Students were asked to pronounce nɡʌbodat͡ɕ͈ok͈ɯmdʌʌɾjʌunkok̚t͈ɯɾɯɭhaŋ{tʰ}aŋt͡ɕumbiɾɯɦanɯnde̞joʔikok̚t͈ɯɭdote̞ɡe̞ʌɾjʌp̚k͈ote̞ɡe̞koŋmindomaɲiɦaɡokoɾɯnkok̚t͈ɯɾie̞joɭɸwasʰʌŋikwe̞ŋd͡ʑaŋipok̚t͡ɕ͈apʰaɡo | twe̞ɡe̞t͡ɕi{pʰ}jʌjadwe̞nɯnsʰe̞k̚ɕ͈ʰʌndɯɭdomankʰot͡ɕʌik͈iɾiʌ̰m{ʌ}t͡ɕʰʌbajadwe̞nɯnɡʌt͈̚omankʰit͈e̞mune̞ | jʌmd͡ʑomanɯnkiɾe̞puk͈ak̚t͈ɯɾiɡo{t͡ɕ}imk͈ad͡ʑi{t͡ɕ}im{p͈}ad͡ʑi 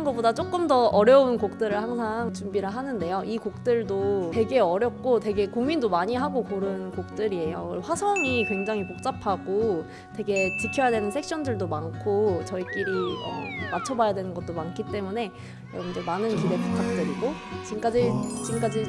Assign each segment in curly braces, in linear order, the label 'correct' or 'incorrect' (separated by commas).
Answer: incorrect, incorrect, incorrect, correct, correct, incorrect